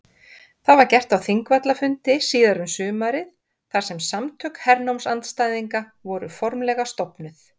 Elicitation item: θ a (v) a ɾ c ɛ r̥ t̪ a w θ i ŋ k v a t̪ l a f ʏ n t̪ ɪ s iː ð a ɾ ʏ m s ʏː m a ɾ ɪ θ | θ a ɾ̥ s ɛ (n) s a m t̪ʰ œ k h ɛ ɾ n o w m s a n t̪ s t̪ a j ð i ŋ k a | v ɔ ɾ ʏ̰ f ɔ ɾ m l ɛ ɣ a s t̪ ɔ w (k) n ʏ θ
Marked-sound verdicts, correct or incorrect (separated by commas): correct, incorrect, incorrect